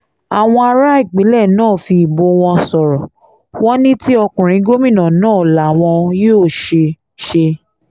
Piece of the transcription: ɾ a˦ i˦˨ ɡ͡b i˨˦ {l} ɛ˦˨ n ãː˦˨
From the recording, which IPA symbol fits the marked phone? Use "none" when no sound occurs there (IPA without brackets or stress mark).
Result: l